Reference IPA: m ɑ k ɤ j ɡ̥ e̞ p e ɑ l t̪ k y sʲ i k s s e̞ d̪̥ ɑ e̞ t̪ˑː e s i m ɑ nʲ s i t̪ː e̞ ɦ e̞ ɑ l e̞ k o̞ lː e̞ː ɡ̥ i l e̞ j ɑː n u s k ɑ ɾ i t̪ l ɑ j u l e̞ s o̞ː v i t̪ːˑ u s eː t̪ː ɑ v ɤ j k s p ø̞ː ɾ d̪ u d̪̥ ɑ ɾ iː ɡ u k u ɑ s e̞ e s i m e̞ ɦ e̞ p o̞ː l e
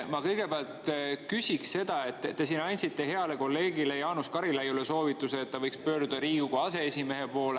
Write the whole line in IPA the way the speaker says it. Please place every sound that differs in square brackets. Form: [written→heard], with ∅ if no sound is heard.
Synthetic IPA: m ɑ k ɤ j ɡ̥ e̞ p e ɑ l t̪ k y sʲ i k s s e̞ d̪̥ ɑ e̞ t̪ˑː e s i [m→n] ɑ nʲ s i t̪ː e̞ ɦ e̞ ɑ l e̞ k o̞ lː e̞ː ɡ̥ i l e̞ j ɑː n u s k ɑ ɾ i [t̪→∅] l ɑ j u l e̞ s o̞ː v i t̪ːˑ u s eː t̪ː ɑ v ɤ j k s p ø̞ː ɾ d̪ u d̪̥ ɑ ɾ iː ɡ u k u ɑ s e̞ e s i m e̞ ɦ e̞ p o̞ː l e

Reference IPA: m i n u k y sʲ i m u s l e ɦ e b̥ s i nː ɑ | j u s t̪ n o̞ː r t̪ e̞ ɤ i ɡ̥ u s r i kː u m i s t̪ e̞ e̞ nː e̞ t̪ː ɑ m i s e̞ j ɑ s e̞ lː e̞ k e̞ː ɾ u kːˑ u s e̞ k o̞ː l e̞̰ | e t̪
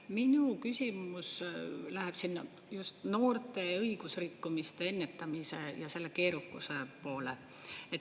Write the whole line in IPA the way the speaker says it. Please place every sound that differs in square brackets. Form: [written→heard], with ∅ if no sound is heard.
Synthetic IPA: m i n u k y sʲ i m u s l [e→æ] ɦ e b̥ s i nː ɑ | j u s t̪ n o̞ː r t̪ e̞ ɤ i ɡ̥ u s r i kː u m i s t̪ e̞ e̞ nː e̞ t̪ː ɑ m i s e̞ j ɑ s e̞ lː e̞ k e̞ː ɾ u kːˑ u s e̞ [k→p] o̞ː l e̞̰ | e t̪

